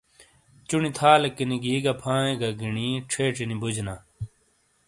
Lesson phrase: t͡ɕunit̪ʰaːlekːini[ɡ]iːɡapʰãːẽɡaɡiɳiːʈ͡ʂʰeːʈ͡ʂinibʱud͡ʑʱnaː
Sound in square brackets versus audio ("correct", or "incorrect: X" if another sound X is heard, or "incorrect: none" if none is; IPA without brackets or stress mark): correct